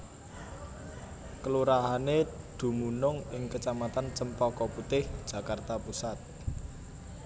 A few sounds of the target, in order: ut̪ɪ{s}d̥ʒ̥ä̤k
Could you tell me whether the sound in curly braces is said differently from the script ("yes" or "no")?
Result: yes